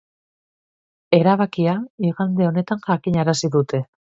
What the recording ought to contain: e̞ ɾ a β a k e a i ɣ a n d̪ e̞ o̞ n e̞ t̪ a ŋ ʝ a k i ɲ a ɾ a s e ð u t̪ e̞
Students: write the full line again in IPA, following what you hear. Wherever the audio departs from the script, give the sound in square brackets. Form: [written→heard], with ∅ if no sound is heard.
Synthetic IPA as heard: e̞ ɾ a β a k [e→i] a i ɣ a n d̪ e̞ o̞ n e̞ t̪ a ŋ ʝ a k i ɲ a ɾ a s [e→i] ð u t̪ e̞